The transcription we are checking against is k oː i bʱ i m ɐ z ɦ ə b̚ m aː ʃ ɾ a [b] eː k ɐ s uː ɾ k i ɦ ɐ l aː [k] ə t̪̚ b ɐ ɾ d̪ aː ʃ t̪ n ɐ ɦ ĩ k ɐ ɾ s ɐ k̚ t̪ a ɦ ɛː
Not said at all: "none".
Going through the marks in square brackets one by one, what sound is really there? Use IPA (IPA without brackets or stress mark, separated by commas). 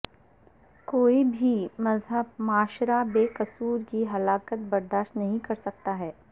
b, k